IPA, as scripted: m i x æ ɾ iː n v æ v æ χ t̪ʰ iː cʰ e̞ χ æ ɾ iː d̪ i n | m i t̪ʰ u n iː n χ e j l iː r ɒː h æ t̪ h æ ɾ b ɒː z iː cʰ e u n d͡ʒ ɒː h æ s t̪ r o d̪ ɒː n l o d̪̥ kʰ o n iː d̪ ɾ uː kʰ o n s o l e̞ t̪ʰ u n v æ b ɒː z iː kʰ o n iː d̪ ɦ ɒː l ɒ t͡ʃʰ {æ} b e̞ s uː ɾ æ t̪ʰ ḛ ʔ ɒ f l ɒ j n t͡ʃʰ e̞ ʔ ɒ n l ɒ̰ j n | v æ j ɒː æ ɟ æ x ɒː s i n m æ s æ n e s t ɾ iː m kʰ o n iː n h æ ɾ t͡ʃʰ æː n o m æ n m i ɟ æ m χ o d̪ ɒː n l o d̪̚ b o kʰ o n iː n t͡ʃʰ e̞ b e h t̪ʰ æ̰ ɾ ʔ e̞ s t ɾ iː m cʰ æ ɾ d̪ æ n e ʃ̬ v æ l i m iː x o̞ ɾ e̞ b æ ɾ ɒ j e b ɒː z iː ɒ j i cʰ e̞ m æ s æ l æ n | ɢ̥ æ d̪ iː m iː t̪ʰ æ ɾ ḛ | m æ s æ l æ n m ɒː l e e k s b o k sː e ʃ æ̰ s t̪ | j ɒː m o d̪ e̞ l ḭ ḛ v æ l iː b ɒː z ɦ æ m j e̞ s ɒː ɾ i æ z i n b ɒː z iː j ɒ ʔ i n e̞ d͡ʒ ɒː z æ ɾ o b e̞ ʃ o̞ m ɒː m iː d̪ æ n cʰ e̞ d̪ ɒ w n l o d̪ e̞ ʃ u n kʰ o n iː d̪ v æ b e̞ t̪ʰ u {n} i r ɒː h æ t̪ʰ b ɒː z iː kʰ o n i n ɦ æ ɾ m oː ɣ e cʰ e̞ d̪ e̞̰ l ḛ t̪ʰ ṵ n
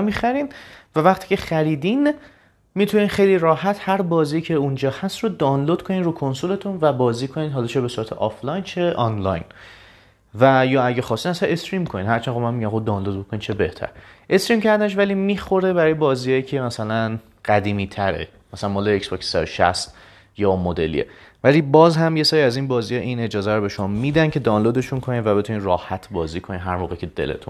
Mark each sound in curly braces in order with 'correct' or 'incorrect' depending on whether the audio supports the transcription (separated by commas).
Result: incorrect, correct